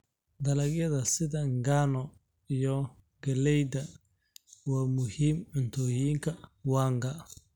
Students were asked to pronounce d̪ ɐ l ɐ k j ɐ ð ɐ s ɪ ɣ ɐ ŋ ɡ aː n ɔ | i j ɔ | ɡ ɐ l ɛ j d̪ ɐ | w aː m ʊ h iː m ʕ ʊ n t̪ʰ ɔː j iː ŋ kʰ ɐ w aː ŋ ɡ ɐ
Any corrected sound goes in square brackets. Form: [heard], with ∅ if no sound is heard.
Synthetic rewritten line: d̪ ɐ l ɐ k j ɐ ð ɐ s ɪ [ð] ɐ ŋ ɡ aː n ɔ | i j ɔ | ɡ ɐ l ɛ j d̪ ɐ | w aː m ʊ h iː m ʕ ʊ n t̪ʰ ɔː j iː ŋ kʰ ɐ w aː ŋ ɡ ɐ

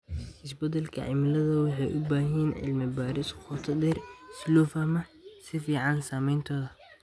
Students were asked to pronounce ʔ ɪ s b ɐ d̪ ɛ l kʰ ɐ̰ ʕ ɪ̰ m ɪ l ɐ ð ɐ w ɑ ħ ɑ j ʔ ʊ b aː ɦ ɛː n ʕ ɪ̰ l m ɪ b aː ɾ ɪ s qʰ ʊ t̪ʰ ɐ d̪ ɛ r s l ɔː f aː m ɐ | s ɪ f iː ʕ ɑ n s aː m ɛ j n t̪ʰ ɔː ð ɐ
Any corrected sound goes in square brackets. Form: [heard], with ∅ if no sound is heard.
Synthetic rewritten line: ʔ ɪ s b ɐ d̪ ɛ l kʰ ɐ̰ ʕ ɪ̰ m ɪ l ɐ ð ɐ w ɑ ħ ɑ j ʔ ʊ b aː ɦ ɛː n ʕ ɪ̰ l m ɪ b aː ɾ ɪ s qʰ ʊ t̪ʰ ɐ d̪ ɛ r s l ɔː f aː m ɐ | s ɪ f iː ʕ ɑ n s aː m ɛ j n t̪ʰ ɔː ð ɐ

